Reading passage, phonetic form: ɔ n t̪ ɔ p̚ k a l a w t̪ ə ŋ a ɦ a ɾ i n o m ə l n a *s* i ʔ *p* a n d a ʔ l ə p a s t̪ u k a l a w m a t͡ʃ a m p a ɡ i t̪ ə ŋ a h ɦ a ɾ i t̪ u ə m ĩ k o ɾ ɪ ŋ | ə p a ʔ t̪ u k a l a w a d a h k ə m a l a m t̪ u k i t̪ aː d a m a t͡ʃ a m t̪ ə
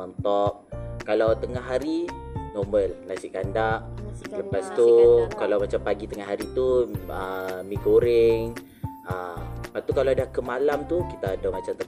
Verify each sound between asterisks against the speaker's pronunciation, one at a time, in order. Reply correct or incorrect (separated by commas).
correct, incorrect